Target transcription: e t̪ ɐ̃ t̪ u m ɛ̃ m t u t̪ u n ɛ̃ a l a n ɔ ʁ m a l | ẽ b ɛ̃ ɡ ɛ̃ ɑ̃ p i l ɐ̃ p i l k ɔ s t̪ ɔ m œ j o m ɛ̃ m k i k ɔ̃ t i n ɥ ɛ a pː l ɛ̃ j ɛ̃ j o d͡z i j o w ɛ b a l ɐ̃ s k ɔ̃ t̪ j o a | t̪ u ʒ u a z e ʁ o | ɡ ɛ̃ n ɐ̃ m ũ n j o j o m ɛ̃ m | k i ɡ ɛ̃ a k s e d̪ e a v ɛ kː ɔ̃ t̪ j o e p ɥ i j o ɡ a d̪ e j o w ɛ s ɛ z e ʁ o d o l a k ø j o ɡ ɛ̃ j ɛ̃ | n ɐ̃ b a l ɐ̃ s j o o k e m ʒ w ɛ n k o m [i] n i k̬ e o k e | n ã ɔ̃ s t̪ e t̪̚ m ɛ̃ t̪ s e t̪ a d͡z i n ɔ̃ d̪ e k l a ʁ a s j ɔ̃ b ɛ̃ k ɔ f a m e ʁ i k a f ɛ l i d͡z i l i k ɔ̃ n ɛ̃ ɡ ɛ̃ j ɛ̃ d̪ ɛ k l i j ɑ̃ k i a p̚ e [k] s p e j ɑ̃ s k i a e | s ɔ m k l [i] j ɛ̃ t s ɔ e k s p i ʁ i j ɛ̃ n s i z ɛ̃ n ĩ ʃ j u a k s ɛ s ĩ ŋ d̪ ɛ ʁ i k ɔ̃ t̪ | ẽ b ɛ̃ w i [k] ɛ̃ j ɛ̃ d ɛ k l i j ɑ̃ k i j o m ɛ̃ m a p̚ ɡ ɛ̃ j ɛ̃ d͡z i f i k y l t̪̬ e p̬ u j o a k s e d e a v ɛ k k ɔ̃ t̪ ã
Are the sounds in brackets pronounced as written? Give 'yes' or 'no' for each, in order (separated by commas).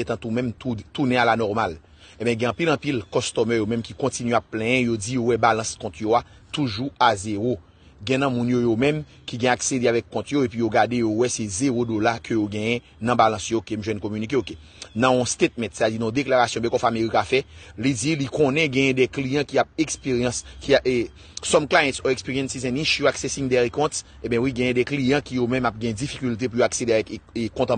no, yes, no, no